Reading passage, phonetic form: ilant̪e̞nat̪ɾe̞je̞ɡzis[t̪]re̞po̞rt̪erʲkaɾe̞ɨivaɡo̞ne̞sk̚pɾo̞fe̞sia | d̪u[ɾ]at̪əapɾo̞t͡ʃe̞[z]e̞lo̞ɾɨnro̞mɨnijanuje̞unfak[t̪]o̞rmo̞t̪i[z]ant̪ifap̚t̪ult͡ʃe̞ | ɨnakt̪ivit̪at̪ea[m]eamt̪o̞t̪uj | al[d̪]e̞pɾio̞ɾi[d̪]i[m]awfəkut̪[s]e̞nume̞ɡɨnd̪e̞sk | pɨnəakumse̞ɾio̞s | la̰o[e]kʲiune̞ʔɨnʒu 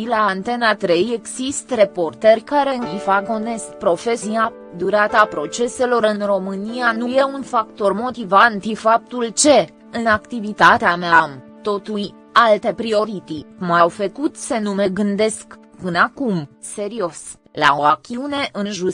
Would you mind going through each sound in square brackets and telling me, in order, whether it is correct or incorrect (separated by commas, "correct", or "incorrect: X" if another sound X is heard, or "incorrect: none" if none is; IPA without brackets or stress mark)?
correct, correct, incorrect: s, correct, incorrect: v, correct, incorrect: t̪, incorrect: t̪, correct, correct, incorrect: a